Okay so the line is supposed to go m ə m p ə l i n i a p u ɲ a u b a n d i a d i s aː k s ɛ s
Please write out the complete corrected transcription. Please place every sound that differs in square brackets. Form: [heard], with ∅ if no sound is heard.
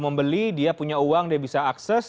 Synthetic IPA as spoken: m ə m [b] ə l i [d] i a p u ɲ a u [w] a [ŋ] d i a [b] i s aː k s ɛ s